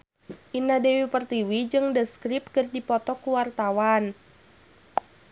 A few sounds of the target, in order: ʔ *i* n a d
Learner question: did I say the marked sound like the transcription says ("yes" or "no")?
yes